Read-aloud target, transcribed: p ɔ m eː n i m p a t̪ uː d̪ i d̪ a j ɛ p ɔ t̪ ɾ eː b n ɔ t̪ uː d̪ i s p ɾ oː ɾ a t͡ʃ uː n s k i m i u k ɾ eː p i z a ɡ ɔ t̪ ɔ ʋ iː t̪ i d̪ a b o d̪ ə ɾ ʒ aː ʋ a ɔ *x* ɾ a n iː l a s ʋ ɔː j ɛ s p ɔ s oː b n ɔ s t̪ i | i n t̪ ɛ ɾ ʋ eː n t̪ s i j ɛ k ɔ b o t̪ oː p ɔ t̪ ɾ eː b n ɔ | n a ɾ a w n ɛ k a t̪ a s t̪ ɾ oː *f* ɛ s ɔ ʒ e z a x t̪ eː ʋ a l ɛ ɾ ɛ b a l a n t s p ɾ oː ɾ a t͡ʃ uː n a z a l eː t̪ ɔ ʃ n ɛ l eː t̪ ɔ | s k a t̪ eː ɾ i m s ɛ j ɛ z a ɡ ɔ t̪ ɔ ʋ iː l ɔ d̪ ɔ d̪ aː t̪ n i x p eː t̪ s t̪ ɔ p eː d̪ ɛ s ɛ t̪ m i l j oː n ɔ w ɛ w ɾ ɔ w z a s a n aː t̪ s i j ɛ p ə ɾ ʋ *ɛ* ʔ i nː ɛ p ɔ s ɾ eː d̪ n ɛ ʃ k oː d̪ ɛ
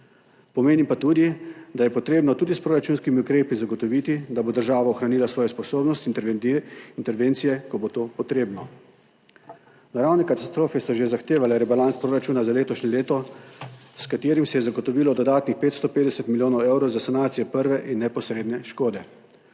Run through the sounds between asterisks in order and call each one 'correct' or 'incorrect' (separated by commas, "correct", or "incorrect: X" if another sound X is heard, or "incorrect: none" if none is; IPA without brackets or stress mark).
correct, correct, correct